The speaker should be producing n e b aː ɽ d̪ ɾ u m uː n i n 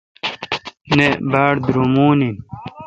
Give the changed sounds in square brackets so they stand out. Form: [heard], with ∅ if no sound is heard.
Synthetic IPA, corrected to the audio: n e b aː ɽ d̪ ɾ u m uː n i n